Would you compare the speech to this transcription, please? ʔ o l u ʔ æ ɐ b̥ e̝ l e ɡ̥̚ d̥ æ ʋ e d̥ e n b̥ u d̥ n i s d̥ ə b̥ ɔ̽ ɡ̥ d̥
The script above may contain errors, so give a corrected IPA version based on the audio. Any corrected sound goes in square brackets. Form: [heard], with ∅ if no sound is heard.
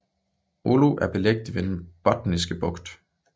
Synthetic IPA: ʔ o l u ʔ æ ɐ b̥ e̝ l e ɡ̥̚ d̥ [i] ʋ e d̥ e n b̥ [ɒ] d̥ n i s [ɡ̥] ə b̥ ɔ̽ ɡ̥ d̥